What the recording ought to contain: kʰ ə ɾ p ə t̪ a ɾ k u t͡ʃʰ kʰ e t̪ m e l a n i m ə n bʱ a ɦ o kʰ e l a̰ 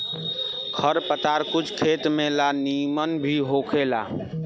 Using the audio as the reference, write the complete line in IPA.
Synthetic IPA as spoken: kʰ ə ɾ p ə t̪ a ɾ k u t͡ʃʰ kʰ e t̪ m e l a n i m ə n bʱ i ɦ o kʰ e l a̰